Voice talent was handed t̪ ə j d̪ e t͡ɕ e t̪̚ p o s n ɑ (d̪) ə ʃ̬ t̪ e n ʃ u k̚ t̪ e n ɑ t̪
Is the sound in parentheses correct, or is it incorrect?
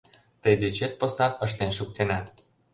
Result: incorrect